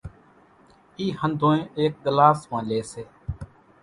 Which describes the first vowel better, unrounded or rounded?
unrounded